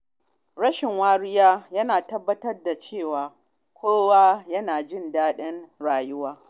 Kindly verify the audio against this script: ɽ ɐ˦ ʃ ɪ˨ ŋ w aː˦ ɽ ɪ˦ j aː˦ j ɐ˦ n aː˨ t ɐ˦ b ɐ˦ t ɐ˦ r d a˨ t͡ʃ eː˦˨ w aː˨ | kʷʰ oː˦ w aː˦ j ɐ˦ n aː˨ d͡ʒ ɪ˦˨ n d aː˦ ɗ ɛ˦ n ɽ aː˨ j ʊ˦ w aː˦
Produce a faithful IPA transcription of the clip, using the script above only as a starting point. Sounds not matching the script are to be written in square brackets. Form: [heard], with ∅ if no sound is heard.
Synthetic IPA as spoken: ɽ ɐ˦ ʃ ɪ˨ ŋ w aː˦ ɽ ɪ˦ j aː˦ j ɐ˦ n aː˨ t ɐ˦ [bː] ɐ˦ t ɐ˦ r d a˨ t͡ʃ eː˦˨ w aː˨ | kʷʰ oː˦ w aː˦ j ɐ˦ n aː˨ d͡ʒ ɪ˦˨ n d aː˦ ɗ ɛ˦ n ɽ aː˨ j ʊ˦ w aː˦

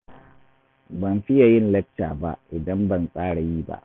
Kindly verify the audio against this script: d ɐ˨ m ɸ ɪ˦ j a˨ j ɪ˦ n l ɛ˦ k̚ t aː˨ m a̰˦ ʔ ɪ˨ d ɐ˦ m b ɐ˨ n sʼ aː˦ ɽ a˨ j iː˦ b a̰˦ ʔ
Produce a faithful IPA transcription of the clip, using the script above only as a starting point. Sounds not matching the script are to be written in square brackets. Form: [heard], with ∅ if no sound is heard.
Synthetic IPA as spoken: [b] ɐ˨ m ɸ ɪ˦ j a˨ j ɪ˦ n l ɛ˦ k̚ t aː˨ [b] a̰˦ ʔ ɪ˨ d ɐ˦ m b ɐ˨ n sʼ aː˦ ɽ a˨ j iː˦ b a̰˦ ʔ

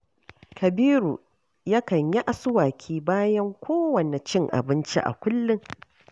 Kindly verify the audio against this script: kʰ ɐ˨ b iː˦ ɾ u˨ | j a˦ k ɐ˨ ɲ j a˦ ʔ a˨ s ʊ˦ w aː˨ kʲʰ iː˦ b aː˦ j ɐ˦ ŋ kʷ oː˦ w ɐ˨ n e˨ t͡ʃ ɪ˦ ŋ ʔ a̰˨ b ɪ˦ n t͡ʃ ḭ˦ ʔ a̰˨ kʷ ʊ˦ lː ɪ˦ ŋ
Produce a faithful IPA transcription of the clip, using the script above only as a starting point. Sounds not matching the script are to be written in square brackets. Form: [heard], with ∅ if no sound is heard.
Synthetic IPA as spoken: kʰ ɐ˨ b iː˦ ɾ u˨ | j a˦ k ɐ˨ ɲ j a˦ ʔ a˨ s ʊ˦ w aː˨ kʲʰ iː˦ b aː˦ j ɐ˦ ŋ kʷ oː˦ w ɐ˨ n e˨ t͡ʃ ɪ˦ ŋ ʔ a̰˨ b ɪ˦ n t͡ʃ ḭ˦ ʔ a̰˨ kʷ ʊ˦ lː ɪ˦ ŋ

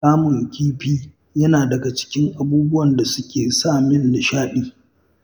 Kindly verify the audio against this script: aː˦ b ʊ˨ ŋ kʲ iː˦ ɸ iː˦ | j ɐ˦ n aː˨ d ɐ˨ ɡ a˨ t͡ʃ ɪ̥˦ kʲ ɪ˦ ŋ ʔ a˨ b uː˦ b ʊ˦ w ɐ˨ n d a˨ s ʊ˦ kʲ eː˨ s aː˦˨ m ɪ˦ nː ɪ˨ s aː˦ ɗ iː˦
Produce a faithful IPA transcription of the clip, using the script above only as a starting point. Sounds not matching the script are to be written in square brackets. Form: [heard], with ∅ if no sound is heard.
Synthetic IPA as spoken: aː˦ [m] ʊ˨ ŋ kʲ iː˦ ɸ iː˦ | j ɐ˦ n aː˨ d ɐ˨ ɡ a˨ t͡ʃ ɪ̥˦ kʲ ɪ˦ ŋ ʔ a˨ b uː˦ b ʊ˦ w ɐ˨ n d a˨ s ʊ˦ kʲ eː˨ s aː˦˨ m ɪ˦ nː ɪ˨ [ʃ] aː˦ ɗ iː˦

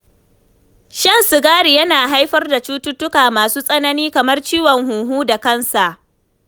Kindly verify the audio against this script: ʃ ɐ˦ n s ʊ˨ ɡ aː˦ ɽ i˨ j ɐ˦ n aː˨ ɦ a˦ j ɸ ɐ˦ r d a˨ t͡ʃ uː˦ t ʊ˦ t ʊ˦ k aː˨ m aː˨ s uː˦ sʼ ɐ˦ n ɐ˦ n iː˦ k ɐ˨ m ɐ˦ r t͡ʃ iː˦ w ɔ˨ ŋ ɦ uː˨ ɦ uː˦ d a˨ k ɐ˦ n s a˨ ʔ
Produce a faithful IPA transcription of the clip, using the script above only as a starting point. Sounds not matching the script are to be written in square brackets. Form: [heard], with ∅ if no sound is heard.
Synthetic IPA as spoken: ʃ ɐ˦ n s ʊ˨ ɡ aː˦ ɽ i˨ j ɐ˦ n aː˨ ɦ a˦ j ɸ ɐ˦ r d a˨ t͡ʃ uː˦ t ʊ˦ t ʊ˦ k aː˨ m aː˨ s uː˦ sʼ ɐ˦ n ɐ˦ n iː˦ k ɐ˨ m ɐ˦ r t͡ʃ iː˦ w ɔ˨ ŋ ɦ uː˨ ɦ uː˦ d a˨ k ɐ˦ n s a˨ ʔ

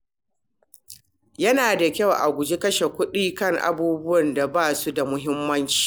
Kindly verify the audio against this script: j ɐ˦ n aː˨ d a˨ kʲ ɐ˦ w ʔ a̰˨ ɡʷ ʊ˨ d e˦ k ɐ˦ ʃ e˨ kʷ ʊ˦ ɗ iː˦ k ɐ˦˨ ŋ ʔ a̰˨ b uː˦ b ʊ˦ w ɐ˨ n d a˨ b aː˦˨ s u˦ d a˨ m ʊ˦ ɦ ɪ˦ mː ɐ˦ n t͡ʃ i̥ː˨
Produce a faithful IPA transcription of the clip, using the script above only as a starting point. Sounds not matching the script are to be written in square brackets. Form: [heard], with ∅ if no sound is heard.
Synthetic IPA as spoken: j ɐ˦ n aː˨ d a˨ kʲ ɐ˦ w ʔ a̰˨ ɡʷ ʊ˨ [d͡ʒ] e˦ k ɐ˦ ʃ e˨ kʷ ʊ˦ ɗ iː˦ k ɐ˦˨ ŋ ʔ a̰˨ b uː˦ b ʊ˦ w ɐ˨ n d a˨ b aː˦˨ s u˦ d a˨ m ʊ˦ ɦ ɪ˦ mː ɐ˦ n t͡ʃ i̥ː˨

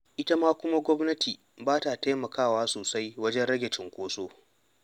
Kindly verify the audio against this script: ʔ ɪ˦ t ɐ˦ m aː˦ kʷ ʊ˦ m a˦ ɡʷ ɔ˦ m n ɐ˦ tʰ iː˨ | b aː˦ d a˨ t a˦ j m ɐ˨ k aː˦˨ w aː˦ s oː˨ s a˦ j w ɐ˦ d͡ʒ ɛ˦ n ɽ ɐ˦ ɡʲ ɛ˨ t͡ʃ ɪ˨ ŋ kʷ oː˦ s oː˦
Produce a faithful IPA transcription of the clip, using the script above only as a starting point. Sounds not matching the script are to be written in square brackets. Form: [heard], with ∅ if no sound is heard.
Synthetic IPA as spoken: ʔ ɪ˦ t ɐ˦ m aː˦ kʷ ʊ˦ m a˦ ɡʷ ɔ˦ m n ɐ˦ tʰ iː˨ | b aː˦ [t] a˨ t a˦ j m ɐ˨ k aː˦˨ w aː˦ s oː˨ s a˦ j w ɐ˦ d͡ʒ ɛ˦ n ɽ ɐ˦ ɡʲ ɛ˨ t͡ʃ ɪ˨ ŋ kʷ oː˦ s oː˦

